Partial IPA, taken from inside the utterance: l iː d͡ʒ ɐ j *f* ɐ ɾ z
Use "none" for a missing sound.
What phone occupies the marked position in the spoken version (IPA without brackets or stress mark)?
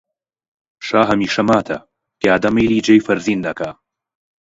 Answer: f